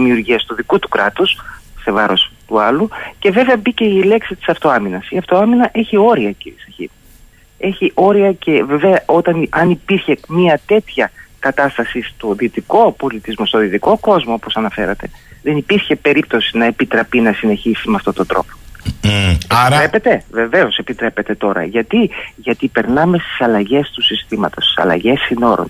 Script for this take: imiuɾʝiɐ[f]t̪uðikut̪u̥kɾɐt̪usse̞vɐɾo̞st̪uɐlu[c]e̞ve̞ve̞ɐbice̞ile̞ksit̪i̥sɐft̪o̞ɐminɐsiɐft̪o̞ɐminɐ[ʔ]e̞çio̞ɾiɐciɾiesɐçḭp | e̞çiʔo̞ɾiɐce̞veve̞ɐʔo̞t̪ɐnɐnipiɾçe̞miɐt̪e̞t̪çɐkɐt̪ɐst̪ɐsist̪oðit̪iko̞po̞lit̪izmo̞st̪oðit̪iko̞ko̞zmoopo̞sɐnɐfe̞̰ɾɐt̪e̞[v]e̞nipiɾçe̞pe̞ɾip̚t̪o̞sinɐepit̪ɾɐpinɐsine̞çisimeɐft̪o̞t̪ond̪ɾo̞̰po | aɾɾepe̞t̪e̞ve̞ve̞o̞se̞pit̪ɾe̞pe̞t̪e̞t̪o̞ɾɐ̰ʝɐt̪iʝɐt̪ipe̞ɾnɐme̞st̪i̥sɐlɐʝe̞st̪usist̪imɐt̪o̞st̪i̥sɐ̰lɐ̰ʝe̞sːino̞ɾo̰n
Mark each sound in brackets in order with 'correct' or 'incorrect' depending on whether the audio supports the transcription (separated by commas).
incorrect, correct, correct, incorrect